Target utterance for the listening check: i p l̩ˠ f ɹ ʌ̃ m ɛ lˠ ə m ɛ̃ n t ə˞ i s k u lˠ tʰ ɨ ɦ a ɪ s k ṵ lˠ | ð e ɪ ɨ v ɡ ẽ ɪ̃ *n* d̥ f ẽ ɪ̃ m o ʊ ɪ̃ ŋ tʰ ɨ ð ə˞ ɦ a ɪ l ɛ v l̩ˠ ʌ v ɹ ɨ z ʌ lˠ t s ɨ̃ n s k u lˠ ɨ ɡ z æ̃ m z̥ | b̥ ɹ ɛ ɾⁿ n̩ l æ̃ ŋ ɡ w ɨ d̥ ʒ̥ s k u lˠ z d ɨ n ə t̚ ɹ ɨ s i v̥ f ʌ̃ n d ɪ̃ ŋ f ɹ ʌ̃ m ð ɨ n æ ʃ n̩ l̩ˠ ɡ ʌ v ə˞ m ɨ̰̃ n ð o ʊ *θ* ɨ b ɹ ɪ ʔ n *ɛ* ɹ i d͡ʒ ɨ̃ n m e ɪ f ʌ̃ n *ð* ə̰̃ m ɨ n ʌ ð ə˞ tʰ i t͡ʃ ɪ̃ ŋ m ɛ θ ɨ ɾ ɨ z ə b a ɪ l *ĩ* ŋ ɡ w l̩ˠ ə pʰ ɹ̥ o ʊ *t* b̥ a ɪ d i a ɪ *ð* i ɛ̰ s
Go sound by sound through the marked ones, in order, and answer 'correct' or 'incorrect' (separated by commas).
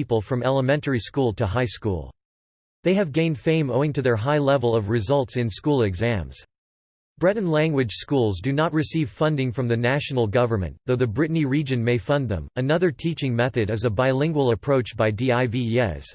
correct, incorrect, incorrect, correct, incorrect, incorrect, incorrect